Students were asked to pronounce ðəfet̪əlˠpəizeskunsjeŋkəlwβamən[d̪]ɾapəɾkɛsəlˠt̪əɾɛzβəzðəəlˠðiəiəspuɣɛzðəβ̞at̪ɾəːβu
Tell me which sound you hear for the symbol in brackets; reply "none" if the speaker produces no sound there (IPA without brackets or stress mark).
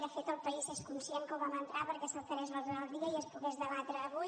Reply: t̪